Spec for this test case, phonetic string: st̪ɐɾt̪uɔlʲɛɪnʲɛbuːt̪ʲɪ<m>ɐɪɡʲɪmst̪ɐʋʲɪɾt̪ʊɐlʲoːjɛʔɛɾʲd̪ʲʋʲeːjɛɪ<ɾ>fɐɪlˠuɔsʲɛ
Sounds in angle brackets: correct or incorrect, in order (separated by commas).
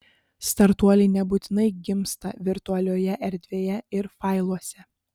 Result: incorrect, correct